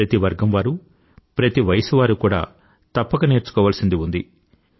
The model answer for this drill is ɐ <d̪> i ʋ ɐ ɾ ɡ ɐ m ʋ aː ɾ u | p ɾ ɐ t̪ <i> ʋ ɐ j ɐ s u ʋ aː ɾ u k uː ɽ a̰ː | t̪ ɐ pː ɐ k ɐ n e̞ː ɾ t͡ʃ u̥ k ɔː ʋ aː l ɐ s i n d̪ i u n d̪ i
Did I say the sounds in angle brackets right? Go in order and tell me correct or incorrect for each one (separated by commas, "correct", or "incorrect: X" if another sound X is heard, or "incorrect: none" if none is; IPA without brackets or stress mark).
incorrect: t̪, correct